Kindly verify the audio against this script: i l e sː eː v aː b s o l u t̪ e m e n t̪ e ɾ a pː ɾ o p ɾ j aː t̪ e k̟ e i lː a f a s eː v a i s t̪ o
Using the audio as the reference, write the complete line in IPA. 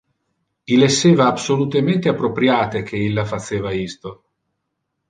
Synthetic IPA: i l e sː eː v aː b s o l u t̪ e m e n t̪ e a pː ɾ o p ɾ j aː t̪ e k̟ e i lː a f a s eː v a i s t̪ o